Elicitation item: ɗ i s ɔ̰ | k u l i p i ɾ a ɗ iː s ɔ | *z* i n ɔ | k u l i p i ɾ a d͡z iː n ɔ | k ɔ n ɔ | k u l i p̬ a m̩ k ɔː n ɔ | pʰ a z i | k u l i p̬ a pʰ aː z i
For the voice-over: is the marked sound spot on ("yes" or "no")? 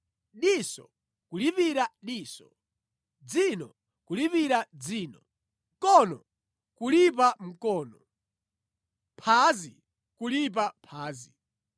no